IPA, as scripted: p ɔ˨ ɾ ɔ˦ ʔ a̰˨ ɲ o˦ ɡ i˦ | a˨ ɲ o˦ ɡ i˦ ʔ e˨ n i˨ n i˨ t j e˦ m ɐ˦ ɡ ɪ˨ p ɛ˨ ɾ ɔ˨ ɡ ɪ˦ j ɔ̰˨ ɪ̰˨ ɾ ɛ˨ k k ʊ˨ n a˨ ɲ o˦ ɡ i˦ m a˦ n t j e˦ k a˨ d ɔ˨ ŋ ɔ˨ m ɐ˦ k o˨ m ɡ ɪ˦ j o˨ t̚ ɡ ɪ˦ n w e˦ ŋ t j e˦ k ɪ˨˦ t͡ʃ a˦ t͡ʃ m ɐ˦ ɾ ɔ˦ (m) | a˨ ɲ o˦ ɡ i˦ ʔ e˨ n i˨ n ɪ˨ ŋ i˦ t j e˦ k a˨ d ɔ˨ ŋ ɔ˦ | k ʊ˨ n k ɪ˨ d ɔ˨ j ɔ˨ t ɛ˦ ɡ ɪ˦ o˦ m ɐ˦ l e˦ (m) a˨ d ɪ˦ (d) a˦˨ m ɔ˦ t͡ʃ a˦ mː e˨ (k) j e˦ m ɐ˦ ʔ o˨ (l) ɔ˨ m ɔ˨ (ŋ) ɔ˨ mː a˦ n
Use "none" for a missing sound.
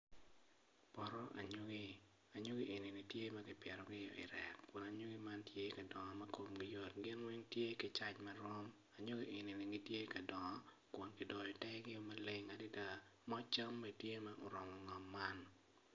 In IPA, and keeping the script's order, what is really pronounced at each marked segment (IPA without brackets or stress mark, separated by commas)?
m, ŋ, d, t, ɾ, ŋ